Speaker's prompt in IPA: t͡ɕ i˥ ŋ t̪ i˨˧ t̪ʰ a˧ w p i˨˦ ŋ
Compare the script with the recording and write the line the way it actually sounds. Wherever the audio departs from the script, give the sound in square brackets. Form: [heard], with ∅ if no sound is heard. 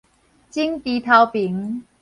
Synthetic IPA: t͡ɕ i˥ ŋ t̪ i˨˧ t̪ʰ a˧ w p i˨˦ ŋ